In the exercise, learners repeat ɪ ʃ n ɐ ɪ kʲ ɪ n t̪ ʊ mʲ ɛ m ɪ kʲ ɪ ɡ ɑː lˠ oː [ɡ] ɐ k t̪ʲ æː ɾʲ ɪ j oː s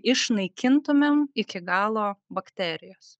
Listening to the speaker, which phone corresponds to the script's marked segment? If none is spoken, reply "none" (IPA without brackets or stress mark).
b